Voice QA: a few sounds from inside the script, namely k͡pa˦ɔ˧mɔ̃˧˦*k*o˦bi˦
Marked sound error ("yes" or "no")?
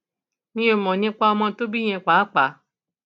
yes